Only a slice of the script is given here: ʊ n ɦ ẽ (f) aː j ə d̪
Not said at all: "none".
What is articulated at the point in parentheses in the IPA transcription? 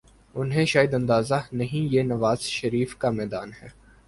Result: ʃ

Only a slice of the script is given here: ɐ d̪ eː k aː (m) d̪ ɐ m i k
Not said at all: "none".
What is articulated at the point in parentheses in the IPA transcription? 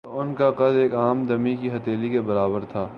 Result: m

